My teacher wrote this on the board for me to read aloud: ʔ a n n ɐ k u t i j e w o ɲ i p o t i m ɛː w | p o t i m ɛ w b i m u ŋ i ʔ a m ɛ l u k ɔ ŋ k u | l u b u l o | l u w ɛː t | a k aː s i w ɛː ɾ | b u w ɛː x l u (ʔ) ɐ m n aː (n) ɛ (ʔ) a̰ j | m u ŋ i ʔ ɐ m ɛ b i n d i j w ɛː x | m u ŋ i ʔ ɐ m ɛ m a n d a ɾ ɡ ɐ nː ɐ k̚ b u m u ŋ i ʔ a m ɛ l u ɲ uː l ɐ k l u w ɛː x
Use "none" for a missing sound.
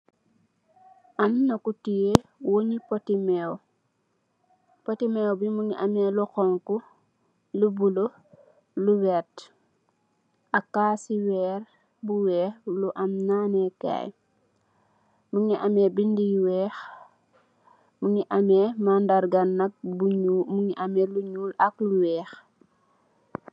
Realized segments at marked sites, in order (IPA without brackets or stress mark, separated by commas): ʔ, n, k